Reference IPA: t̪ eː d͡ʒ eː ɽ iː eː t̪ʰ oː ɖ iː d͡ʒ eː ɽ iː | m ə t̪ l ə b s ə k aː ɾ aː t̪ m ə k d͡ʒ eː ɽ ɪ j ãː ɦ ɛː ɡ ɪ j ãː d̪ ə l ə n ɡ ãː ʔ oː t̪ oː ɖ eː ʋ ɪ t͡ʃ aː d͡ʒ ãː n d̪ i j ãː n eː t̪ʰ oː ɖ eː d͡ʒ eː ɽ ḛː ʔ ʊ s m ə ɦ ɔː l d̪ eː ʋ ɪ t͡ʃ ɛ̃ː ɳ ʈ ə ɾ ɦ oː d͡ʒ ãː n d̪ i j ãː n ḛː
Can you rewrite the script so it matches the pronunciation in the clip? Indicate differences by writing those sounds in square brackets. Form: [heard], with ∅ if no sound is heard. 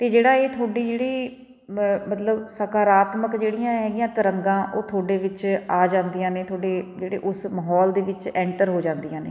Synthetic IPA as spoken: t̪ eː d͡ʒ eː ɽ [aː] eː t̪ʰ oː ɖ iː d͡ʒ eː ɽ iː | m ə t̪ l ə b s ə k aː ɾ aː t̪ m ə k d͡ʒ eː ɽ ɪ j ãː ɦ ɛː ɡ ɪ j ãː [t̪] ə [ɾ] ə [ŋ] ɡ ãː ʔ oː [t̪ʰ] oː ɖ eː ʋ ɪ t͡ʃ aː d͡ʒ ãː n d̪ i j ãː n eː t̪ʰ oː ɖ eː d͡ʒ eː ɽ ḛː ʔ ʊ s m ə ɦ ɔː l d̪ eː ʋ ɪ t͡ʃ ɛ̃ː ɳ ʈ ə ɾ ɦ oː d͡ʒ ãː n d̪ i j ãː n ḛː